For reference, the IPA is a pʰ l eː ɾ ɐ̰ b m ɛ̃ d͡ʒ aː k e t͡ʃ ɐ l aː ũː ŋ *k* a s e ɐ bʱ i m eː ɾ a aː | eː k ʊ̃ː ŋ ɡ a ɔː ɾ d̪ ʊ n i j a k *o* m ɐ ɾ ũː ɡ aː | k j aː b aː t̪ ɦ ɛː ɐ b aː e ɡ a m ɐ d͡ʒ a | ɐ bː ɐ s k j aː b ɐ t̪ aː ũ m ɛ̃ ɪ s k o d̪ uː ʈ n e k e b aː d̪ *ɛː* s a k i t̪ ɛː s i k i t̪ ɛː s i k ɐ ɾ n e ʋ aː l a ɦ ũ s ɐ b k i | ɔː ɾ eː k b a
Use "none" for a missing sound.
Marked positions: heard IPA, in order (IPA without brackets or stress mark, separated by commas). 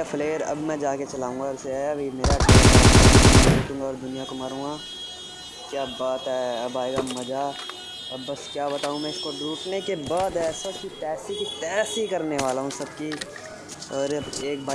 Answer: ɡ, o, ɛː